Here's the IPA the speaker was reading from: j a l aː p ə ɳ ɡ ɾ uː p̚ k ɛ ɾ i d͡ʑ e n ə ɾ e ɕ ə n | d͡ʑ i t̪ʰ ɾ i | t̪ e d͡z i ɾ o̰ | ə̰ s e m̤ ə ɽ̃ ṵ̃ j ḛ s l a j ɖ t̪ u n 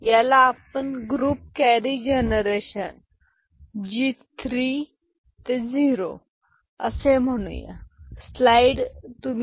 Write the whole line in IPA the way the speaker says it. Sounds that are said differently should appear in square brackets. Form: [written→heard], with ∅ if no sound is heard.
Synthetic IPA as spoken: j a l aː p ə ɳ ɡ ɾ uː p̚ k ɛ ɾ i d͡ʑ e n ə ɾ e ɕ ə n | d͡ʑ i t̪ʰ ɾ i | t̪ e d͡z i ɾ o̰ | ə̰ s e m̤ ə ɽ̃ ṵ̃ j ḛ s l a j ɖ t̪ u [n→m]